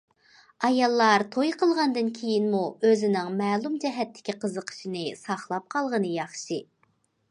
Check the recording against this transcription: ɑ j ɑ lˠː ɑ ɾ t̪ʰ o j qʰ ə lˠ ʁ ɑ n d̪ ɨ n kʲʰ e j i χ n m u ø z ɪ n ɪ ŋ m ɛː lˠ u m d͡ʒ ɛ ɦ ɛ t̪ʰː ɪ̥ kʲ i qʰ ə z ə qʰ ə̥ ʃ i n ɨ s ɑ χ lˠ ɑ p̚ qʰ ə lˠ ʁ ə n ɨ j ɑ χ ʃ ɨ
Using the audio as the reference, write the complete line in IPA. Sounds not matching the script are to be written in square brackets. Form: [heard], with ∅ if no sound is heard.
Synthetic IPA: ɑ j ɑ lˠː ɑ ɾ t̪ʰ o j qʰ ə lˠ ʁ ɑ n d̪ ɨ n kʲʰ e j i [∅] n m u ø z ɪ n ɪ ŋ m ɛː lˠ u m d͡ʒ ɛ ɦ ɛ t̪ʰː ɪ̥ kʲ i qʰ ə z ə qʰ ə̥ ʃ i n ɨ s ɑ χ lˠ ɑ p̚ qʰ [ɑ] lˠ ʁ ə n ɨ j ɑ χ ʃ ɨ